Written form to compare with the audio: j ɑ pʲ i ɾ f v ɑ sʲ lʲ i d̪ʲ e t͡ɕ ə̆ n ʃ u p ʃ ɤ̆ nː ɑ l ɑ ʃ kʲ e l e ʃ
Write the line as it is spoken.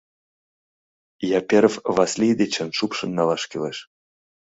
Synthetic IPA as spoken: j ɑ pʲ e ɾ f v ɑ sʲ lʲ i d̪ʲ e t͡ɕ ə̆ n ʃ u p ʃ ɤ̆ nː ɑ l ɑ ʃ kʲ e l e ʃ